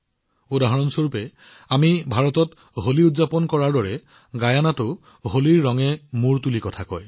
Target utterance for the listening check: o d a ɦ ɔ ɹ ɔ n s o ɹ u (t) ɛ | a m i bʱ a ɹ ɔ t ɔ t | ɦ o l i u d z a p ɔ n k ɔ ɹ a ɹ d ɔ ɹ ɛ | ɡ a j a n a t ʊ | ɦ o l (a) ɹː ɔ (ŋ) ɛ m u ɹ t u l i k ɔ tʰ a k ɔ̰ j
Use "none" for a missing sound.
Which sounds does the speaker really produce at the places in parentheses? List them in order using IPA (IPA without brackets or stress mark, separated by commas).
p, i, ŋ